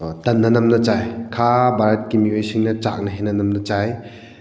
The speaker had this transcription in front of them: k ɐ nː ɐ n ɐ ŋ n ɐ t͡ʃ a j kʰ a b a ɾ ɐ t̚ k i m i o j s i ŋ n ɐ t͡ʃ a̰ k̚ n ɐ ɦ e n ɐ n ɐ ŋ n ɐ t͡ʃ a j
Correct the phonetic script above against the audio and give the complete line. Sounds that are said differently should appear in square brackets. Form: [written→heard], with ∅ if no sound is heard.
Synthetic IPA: [k→t] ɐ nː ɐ n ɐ [ŋ→m] n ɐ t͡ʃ a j kʰ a b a ɾ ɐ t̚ k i m i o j s i ŋ n ɐ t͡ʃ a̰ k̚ n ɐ ɦ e n ɐ n ɐ [ŋ→m] n ɐ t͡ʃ a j

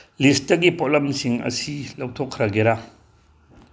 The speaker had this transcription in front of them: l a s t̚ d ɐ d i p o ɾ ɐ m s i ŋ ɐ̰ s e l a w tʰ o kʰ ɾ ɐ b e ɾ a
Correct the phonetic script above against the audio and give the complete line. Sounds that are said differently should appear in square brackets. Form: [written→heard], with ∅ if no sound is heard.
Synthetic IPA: l [a→i] s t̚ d ɐ [d→ɡ] i p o [ɾ→l] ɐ m s i ŋ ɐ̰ s [e→i] l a w tʰ o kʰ ɾ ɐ [b→ɡ] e ɾ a

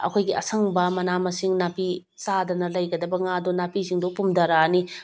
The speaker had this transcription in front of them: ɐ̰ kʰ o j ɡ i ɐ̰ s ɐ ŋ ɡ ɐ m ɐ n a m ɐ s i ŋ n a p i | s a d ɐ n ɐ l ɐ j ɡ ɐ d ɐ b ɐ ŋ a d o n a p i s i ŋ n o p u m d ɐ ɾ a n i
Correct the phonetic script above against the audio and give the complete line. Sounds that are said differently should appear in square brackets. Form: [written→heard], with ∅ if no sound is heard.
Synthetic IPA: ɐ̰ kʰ o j ɡ i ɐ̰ s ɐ ŋ [ɡ→b] ɐ m ɐ n a m ɐ s i ŋ n a p i | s a d ɐ n ɐ l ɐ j ɡ ɐ d ɐ b ɐ ŋ a d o n a p i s i ŋ [n→d] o p u m d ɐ ɾ a n i

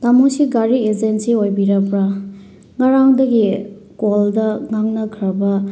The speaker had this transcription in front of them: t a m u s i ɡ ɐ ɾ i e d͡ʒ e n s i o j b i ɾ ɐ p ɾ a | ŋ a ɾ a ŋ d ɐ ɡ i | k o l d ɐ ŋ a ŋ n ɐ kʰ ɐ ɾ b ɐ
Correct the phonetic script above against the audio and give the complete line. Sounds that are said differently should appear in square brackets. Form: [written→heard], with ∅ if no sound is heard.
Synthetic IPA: t a m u s i ɡ [ɐ→a] ɾ i e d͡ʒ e n s i o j b i ɾ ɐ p ɾ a | ŋ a ɾ a ŋ d ɐ ɡ i | k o l d ɐ ŋ a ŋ n ɐ kʰ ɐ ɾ b ɐ

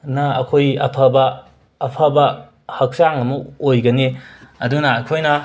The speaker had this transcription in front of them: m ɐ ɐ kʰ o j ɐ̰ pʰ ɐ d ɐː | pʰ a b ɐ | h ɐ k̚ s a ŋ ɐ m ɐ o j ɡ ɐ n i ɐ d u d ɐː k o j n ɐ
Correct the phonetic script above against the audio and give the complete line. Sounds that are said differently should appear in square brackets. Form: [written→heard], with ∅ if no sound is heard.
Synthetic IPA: [m→n] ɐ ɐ kʰ o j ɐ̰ pʰ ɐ [d→b] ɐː | pʰ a b ɐ | h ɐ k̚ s a ŋ ɐ m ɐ o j ɡ ɐ n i ɐ d u [d→n] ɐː [k→kʰ] o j n ɐ

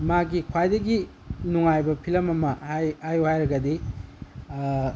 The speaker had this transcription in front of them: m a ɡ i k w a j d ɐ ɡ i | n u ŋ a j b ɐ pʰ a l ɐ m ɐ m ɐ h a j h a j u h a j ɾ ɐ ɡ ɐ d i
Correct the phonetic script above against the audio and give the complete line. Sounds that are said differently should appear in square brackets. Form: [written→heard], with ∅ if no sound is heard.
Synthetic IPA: m a ɡ i [k→kʰ] w a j d ɐ ɡ i | n u ŋ a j b ɐ pʰ [a→i] l ɐ m ɐ m ɐ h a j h a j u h a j ɾ ɐ ɡ ɐ d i

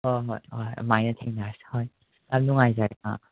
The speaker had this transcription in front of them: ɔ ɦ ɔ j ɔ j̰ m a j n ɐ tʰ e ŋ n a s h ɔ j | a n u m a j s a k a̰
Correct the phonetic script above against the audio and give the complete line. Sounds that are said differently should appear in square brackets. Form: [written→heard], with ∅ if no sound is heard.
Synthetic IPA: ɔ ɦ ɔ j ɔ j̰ m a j n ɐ tʰ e ŋ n a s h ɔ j | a n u [m→ŋ] a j [s→z] a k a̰

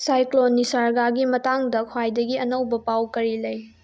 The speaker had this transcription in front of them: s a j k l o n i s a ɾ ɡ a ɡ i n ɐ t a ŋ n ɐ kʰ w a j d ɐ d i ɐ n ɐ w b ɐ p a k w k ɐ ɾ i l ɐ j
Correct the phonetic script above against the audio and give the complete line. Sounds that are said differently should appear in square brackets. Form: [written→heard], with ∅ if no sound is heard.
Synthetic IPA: s a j k l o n i s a ɾ ɡ a ɡ i [n→m] ɐ t a ŋ [n→d] ɐ kʰ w a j d ɐ [d→ɡ] i ɐ n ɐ w b ɐ p a [k→∅] w k ɐ ɾ i l ɐ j

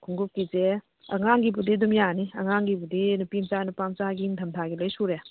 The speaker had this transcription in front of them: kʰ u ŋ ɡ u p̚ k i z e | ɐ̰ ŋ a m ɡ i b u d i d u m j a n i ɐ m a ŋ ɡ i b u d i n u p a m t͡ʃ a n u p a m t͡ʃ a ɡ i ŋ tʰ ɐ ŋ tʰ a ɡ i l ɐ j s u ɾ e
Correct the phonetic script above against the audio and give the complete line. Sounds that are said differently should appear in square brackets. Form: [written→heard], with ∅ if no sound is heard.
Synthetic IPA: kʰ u ŋ ɡ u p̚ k i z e | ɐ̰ ŋ a [m→ŋ] ɡ i b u d i d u m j a n i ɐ [m→ŋ] a ŋ ɡ i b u d i n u p [a→i] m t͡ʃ a n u p a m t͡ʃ a ɡ i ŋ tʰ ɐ [ŋ→m] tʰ a ɡ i l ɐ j s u ɾ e

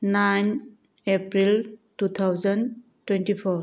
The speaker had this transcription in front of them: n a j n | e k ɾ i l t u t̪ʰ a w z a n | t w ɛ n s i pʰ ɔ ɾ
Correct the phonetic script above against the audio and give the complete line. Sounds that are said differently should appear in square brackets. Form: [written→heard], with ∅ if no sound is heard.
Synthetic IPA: n a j n | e [k→p] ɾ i l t u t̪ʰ a w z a n | t w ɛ n [s→t] i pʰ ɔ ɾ

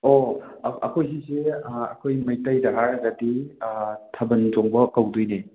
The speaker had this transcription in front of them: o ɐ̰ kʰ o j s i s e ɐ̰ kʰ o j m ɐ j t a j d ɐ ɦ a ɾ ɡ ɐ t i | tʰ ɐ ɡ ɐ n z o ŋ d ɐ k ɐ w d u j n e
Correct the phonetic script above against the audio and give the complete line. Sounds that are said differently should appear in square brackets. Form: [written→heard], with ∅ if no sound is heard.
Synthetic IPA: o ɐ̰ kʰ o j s i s e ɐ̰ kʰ o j m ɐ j t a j d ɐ ɦ a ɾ ɡ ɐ [t→d] i | tʰ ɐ [ɡ→b] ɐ n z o ŋ [d→b] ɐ k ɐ w d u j n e

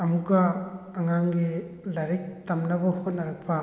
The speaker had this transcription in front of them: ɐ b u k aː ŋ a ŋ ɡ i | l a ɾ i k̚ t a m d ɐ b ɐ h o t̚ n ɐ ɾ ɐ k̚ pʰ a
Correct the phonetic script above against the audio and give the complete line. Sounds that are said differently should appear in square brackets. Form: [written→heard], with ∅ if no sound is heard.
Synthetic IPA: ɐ [b→m] u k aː ŋ a ŋ ɡ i | l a ɾ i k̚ t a m [d→n] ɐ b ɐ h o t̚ n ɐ ɾ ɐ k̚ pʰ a

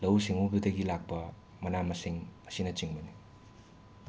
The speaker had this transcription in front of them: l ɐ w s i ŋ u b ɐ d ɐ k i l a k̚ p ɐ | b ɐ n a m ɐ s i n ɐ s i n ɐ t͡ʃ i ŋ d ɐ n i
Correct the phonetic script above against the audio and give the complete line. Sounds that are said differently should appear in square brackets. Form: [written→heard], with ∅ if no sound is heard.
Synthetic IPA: l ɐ w s i ŋ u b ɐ d ɐ [k→ɡ] i l a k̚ p ɐ | [b→m] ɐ n a m ɐ s i [n→ŋ] ɐ s i n ɐ t͡ʃ i ŋ [d→b] ɐ n i

